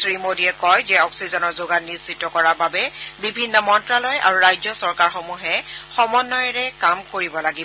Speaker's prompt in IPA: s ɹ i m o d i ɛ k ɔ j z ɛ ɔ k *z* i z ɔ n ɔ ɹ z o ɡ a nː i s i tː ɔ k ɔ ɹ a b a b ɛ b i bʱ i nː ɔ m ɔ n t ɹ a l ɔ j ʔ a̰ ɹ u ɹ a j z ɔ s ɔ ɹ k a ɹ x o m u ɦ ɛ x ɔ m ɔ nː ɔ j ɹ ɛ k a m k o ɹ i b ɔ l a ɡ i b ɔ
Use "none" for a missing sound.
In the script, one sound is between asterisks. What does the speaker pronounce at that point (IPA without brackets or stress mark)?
s